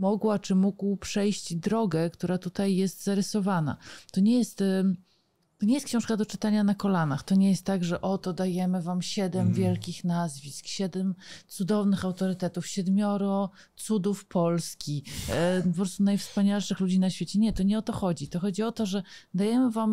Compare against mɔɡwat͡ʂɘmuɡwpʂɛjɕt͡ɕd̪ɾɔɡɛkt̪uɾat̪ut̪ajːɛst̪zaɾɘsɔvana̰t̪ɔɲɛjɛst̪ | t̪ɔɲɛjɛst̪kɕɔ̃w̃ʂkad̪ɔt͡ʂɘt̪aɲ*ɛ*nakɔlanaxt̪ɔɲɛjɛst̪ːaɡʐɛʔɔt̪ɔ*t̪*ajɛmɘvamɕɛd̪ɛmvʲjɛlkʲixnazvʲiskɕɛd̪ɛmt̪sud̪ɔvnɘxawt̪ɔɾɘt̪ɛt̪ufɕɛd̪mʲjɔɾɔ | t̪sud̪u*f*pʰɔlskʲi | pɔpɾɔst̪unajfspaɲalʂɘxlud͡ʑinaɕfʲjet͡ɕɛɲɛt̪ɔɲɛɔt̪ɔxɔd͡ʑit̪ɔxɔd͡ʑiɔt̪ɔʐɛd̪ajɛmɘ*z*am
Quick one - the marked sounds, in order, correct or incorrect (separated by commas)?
incorrect, incorrect, correct, incorrect